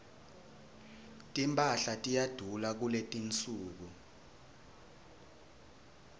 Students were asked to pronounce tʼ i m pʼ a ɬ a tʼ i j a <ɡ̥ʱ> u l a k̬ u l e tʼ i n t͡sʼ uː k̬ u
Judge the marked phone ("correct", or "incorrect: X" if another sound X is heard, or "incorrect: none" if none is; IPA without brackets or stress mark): incorrect: d̥ʱ